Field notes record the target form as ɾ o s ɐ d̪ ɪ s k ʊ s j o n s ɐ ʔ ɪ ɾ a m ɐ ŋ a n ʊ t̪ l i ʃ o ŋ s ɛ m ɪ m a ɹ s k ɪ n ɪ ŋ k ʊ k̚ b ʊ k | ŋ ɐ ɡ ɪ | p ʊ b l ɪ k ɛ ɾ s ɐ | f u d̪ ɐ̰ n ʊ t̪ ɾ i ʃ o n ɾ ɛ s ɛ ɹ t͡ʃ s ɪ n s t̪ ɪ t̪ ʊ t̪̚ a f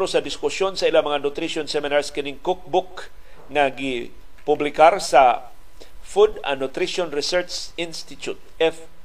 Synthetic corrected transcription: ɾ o s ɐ d̪ ɪ s k ʊ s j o n s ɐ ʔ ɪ l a m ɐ ŋ a n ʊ t̪ ɾ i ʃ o n s ɛ m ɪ n a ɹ s k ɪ n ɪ ŋ k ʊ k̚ b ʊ k | ŋ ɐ ɡ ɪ | p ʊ b l ɪ k a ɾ s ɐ | f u d̪ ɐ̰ n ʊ t̪ ɾ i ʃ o n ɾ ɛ s ɛ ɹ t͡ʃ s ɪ n s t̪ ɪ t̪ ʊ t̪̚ ɛ f